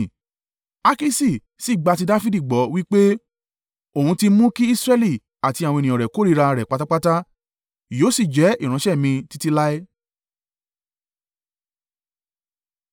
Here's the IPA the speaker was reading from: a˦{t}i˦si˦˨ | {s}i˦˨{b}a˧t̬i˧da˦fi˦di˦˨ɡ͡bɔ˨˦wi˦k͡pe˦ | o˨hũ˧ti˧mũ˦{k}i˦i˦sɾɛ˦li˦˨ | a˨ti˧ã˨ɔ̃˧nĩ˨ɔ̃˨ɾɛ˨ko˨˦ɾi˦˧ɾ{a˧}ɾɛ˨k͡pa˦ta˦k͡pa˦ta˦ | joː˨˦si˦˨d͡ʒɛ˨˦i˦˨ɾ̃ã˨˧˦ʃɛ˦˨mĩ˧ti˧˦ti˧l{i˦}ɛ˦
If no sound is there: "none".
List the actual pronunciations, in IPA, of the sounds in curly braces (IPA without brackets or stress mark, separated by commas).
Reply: k, s, ɡ͡b, k, a˧, a˦